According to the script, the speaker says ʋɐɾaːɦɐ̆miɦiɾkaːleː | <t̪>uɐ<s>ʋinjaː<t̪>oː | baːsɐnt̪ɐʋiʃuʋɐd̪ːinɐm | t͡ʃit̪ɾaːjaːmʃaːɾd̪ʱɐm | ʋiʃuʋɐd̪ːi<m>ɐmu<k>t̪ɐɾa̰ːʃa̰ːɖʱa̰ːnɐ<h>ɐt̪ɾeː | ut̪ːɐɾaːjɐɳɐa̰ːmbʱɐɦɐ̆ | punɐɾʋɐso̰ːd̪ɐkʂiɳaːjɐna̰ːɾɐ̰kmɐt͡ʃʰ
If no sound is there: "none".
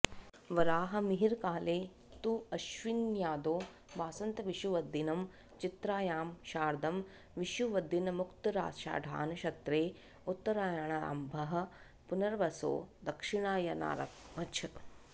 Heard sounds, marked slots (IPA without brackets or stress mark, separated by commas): t̪, ʃ, d̪, n, k, ʃ